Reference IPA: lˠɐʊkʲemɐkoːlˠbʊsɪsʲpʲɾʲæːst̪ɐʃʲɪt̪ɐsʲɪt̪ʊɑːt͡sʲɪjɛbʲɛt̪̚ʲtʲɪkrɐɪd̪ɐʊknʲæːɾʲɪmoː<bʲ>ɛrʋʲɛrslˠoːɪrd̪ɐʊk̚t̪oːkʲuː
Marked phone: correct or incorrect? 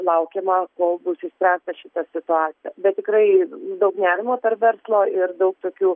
incorrect